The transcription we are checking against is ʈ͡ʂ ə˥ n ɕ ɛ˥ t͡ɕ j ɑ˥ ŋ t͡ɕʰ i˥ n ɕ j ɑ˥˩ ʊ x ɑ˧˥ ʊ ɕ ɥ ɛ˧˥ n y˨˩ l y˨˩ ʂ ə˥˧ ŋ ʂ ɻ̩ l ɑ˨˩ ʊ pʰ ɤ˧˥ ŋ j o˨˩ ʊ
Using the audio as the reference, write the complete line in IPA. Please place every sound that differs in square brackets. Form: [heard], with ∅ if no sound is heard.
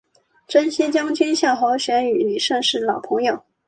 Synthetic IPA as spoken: ʈ͡ʂ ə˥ n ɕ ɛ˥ t͡ɕ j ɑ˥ ŋ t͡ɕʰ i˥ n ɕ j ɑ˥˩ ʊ x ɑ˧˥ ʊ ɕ ɥ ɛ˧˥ n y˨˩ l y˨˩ ʂ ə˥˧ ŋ ʂ ɻ̩ l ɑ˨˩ ʊ pʰ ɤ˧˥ ŋ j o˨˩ ʊ